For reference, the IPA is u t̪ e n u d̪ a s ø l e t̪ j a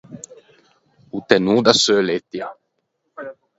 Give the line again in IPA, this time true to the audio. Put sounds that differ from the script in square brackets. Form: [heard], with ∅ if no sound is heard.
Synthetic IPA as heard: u t̪ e n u d̪ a s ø l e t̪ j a